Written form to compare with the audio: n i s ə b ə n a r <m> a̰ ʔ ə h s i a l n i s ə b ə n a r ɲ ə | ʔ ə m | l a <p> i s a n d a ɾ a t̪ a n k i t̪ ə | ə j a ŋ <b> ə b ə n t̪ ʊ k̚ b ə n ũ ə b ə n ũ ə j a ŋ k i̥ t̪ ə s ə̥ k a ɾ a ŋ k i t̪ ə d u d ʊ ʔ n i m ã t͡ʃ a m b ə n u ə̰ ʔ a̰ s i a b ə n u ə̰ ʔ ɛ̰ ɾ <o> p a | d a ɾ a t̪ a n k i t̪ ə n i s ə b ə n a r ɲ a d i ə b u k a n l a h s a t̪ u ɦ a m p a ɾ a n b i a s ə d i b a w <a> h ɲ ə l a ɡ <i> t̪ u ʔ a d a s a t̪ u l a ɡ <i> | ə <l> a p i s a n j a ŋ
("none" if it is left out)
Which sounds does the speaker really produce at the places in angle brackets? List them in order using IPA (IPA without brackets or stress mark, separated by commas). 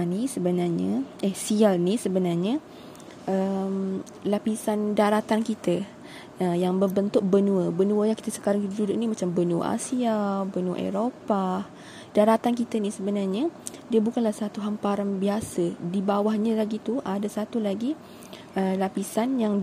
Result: ɲ, p, b, o, a, i, i, l